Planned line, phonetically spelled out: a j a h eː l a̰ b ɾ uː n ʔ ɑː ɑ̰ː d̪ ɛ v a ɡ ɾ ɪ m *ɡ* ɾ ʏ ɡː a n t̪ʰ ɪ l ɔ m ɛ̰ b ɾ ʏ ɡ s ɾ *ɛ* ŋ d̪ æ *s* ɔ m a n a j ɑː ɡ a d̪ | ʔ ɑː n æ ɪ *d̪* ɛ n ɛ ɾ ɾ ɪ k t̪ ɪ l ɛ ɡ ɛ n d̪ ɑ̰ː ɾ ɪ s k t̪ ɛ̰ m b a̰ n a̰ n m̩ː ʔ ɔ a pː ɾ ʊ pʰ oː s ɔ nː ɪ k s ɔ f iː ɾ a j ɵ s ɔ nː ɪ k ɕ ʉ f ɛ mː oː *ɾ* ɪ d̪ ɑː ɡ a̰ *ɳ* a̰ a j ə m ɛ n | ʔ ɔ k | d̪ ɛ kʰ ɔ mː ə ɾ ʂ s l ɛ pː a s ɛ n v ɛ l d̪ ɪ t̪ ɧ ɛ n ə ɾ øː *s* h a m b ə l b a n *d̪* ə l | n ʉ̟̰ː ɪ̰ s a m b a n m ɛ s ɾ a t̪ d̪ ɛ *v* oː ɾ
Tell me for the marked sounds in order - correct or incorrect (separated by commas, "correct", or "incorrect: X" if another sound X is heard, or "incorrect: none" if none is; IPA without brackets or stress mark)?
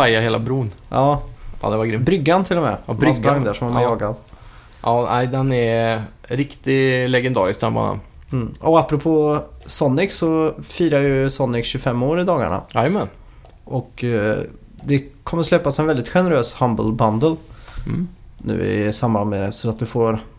incorrect: b, incorrect: a, incorrect: ʂ, correct, correct, correct, correct, correct, incorrect: f